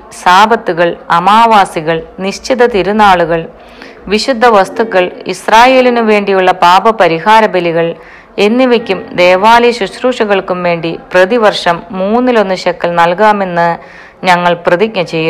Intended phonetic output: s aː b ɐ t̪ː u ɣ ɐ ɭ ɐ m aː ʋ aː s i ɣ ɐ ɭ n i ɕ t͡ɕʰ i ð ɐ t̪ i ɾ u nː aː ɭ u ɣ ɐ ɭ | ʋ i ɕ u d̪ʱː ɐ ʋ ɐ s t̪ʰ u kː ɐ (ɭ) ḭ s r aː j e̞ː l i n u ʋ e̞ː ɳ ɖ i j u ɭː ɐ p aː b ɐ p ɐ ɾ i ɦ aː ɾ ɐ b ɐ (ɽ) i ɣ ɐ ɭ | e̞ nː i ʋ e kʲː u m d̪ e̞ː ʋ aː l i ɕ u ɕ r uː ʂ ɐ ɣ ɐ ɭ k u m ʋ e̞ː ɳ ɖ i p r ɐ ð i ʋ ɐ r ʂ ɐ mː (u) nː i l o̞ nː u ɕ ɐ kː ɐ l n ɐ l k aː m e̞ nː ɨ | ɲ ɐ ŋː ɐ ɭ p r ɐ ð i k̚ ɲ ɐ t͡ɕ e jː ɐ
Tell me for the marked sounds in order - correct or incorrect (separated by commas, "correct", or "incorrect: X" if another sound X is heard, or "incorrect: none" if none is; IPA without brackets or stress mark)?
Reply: correct, incorrect: l, incorrect: uː